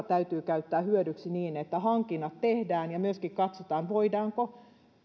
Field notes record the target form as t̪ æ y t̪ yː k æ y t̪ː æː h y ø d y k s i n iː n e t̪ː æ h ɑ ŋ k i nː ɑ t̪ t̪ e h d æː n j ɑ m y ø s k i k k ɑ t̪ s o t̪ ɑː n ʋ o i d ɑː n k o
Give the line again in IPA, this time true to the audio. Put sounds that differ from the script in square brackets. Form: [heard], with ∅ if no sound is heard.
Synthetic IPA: t̪ æ y t̪ yː k æ y t̪ː æː h y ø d y k s i n iː n e t̪ː æ h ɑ ŋ k i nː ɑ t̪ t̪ e h d æː n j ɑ m y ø s k i k k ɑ t̪ s o t̪ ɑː n ʋ o i d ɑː [ŋ] k o

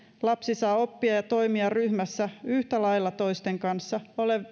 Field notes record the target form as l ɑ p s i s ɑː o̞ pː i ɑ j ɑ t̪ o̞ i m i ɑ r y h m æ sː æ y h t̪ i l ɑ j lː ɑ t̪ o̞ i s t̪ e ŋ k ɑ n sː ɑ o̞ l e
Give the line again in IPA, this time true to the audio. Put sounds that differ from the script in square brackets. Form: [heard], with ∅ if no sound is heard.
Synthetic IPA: l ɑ p s i s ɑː o̞ pː i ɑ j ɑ t̪ o̞ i m i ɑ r y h m æ sː æ y h t̪ [æ] l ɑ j lː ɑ t̪ o̞ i s t̪ e ŋ k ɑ n sː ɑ o̞ l e

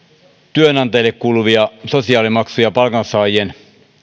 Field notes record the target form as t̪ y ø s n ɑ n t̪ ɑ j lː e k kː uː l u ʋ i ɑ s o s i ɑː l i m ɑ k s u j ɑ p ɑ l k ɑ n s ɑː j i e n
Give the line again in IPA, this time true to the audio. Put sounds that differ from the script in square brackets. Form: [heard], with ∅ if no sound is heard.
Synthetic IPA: t̪ y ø [∅] n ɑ n t̪ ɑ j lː e k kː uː l u ʋ i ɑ s o s i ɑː l i m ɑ k s u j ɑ p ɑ l k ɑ n s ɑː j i e n

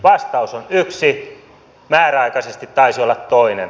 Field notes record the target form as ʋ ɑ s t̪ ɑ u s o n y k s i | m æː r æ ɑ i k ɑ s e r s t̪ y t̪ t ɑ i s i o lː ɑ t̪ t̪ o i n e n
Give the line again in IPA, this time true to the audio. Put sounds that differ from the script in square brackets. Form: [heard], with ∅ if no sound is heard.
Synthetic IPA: ʋ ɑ s t̪ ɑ u s o n y k s i | m æː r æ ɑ i k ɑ s e [∅] s t̪ [i] t̪ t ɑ i s i o lː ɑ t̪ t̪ o i n e n

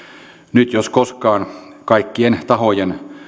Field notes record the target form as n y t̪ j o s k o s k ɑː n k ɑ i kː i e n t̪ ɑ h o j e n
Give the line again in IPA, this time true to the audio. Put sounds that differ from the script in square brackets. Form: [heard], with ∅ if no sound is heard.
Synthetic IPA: n y t̪ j o s k o s k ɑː n k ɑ i kː i e n t̪ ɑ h o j e n

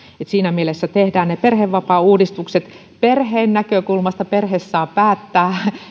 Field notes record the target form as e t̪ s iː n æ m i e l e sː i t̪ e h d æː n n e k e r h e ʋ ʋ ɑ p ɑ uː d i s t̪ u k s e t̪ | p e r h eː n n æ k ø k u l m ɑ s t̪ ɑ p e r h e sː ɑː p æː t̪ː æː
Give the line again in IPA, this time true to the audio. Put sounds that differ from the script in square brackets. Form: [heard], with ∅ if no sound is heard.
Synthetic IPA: e t̪ s iː n æ m i e l e sː [æ] t̪ e h d æː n n e [p] e r h e ʋ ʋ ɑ p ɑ uː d i s t̪ u k s e t̪ | p e r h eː n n æ k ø k u l m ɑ s t̪ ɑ p e r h e sː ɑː p æː t̪ː æː

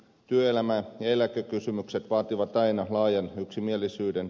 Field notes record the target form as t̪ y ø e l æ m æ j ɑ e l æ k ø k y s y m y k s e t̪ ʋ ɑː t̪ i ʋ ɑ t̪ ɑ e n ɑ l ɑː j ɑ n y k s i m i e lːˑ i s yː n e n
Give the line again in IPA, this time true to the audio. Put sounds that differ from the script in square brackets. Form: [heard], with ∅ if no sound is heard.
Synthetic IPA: t̪ y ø e l æ m æ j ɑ e l æ k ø k y s y m y k s e t̪ ʋ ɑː t̪ i ʋ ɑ t̪ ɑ [i] n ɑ l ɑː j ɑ n y k s i m i e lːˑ i s yː [d] e n

